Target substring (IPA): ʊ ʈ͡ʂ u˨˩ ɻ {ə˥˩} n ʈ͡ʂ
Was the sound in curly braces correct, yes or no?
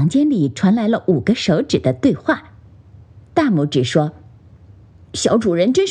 no